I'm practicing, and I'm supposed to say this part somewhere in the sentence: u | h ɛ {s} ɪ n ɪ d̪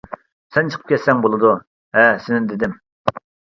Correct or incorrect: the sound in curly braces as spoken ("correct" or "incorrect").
correct